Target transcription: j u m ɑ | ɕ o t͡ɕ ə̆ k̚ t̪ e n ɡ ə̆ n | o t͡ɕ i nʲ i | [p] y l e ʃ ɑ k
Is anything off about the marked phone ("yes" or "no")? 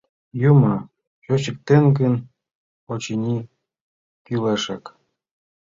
yes